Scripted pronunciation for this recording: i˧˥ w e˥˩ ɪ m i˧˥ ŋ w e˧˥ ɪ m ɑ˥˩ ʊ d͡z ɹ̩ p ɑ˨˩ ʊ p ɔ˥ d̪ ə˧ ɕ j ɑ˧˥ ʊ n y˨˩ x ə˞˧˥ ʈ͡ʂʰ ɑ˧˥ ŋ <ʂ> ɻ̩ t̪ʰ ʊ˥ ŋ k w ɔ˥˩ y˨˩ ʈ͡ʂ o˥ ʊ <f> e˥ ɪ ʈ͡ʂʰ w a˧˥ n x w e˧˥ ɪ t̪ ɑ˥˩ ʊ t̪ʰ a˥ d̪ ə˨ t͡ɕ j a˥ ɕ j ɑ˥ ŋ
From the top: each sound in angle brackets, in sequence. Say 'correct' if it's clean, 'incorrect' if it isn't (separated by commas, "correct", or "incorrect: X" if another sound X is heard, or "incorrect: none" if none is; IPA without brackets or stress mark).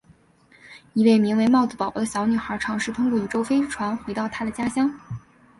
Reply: correct, correct